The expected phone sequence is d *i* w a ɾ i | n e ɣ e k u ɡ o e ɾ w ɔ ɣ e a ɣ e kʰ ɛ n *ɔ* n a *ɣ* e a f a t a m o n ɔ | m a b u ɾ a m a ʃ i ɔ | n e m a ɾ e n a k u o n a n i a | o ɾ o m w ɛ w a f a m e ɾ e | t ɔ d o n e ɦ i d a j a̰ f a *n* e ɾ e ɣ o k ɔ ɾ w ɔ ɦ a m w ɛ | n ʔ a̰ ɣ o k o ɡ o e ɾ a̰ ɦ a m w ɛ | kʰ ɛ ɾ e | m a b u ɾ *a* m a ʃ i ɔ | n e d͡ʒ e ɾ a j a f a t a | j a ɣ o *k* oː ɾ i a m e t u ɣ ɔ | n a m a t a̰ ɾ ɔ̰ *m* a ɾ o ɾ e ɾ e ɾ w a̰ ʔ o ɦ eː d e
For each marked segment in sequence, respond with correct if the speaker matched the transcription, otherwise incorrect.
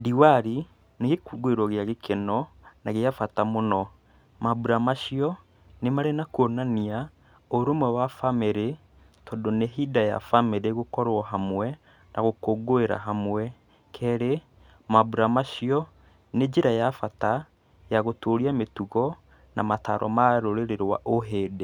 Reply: correct, correct, correct, incorrect: m, correct, incorrect: t, correct

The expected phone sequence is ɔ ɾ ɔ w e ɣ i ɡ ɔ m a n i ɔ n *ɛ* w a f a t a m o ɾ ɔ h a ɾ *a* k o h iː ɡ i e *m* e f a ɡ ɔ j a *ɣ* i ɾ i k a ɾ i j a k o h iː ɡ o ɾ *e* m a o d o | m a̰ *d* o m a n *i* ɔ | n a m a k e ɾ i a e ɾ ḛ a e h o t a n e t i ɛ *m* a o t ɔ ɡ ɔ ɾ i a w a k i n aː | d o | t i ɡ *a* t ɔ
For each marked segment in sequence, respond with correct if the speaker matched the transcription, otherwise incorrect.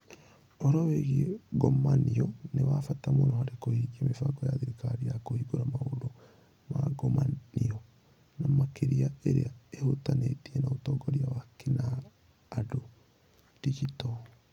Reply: incorrect: e, incorrect: e, correct, incorrect: ð, incorrect: a, incorrect: ɡ, correct, incorrect: n, incorrect: i

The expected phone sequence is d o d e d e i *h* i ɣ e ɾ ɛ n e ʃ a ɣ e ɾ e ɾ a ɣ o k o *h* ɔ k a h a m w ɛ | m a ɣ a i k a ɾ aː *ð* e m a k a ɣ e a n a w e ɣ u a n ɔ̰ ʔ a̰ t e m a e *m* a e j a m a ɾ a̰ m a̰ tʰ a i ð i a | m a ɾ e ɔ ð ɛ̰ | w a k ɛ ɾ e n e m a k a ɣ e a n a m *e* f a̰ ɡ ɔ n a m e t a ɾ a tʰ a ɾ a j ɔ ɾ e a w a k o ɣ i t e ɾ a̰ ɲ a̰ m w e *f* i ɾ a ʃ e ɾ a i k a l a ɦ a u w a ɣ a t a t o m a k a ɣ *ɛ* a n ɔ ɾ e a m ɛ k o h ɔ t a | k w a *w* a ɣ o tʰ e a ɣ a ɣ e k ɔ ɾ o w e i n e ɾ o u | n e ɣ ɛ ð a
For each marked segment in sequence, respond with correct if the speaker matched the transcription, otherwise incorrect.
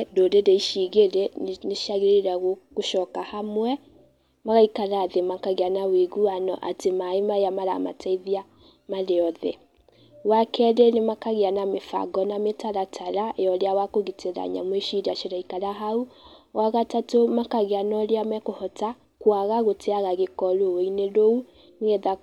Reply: incorrect: ʃ, incorrect: ʃ, correct, correct, correct, incorrect: ʃ, incorrect: e, incorrect: ɣ

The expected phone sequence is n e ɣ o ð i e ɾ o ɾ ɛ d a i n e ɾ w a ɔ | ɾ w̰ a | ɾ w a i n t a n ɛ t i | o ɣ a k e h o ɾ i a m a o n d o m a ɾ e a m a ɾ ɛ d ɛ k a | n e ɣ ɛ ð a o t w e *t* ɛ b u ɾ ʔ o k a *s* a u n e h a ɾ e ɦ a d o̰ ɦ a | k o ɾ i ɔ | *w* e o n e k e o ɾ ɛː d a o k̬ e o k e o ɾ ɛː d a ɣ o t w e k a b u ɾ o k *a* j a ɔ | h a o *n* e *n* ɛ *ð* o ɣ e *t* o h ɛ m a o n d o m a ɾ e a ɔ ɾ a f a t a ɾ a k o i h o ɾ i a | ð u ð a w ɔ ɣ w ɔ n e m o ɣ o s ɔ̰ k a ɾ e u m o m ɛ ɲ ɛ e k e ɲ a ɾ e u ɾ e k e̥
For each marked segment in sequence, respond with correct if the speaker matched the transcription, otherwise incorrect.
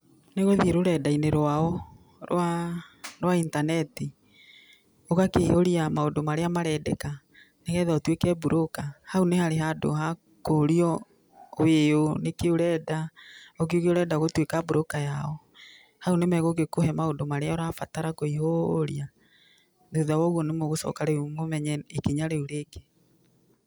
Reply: incorrect: k, incorrect: h, correct, correct, correct, incorrect: m, incorrect: ɣ, incorrect: k

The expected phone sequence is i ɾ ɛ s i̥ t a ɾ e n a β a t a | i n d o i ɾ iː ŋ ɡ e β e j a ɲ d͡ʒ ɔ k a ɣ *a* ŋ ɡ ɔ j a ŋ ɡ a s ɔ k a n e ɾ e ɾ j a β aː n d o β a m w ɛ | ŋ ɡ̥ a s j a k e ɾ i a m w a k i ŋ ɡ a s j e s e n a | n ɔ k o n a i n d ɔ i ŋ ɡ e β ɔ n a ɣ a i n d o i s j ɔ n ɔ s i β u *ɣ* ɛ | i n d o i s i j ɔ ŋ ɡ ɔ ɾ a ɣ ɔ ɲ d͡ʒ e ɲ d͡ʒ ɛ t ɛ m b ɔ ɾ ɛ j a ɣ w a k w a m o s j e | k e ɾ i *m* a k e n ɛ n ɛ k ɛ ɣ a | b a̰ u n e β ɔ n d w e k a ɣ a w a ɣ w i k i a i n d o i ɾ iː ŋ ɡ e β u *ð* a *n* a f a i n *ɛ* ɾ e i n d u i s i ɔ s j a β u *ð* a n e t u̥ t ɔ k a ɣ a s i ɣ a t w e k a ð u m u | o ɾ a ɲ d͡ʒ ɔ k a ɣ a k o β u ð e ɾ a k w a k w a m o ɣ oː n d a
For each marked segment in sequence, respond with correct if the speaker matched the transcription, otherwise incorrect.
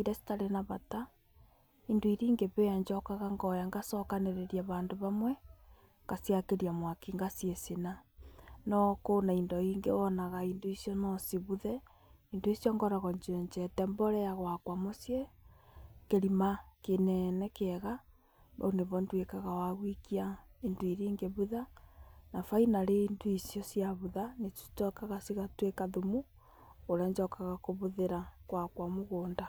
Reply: correct, incorrect: ð, correct, correct, correct, incorrect: a, correct

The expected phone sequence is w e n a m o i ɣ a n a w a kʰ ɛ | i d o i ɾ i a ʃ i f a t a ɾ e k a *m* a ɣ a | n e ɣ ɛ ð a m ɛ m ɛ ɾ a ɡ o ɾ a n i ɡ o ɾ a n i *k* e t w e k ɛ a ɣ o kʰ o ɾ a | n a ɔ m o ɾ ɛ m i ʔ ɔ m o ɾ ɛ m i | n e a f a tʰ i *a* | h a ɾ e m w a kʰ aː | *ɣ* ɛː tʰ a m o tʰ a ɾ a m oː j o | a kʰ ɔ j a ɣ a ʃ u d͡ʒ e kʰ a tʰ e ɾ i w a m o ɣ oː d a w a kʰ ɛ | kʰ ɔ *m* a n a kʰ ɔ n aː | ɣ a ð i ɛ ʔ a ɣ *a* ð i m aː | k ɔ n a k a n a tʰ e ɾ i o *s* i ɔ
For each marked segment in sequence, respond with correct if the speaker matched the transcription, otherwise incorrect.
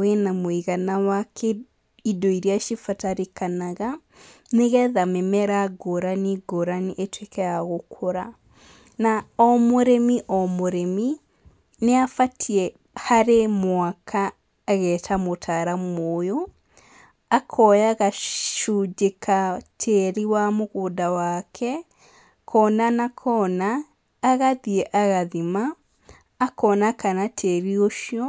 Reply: incorrect: n, incorrect: ʔ, incorrect: ɛ, correct, incorrect: n, correct, incorrect: ʃ

